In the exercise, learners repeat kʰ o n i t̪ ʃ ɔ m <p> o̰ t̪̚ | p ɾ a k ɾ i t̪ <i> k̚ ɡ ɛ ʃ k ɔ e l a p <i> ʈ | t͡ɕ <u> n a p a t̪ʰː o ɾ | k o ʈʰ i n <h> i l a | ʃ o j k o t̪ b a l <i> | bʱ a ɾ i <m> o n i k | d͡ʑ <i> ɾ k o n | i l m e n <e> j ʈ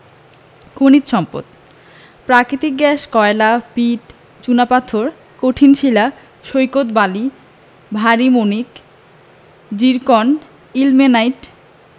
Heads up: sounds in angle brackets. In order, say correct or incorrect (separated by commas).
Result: correct, correct, correct, correct, incorrect, correct, correct, correct, incorrect